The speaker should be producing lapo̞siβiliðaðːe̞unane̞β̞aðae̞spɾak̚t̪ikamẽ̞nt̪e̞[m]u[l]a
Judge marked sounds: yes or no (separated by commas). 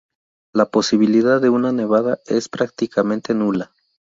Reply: no, yes